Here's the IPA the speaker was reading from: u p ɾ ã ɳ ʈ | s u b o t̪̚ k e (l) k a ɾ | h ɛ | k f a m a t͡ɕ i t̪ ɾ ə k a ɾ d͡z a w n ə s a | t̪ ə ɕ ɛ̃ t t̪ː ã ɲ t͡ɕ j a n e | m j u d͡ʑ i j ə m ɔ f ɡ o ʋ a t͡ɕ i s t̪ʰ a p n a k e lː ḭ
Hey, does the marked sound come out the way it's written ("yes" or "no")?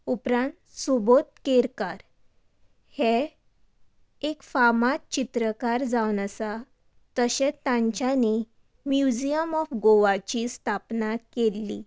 no